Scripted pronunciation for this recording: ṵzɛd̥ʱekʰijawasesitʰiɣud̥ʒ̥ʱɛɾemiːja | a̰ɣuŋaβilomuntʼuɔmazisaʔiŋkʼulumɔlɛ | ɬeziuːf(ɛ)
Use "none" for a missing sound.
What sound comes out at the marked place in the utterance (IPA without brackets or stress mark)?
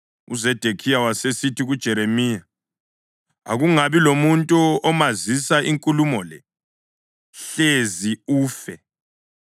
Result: ɛ